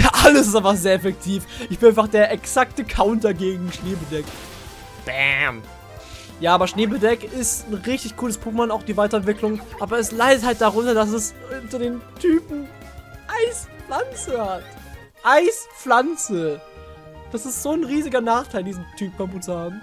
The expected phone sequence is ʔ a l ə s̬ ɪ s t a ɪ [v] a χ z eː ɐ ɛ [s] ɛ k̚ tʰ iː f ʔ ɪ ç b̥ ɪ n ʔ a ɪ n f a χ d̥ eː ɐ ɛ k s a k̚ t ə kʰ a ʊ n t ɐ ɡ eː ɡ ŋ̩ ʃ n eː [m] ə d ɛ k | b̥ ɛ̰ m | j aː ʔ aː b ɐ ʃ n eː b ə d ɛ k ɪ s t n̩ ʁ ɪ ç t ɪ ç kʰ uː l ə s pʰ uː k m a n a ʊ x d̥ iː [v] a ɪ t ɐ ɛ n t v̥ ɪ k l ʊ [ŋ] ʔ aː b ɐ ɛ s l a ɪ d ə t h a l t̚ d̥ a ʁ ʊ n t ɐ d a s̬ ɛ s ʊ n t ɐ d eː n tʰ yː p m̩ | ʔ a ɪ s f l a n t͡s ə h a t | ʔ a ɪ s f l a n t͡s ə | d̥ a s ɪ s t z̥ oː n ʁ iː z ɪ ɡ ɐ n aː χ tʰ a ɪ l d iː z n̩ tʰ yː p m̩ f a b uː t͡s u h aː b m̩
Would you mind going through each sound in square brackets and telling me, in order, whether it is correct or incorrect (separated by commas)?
incorrect, incorrect, incorrect, correct, correct